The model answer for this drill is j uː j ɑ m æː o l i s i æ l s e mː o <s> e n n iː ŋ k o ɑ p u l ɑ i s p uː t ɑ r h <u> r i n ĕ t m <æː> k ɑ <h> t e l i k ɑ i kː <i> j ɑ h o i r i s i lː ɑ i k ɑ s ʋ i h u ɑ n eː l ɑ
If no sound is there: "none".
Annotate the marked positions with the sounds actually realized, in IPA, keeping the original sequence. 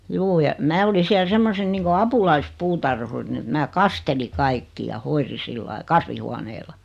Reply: s, u, æː, s, i

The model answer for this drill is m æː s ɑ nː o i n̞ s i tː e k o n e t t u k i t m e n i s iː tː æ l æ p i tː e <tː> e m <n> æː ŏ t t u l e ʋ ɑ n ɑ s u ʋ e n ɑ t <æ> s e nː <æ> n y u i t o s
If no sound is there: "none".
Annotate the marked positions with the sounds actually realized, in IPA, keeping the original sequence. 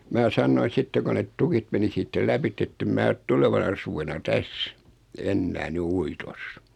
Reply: tː, m, æ, æː

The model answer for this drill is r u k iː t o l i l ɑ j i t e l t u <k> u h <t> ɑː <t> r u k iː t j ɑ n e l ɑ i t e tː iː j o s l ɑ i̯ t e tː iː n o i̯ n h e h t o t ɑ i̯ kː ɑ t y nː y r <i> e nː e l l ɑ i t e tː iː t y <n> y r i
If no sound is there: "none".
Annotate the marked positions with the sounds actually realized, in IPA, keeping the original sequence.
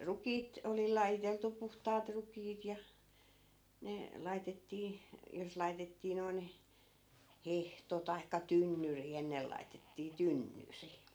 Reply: p, t, t, i, nː

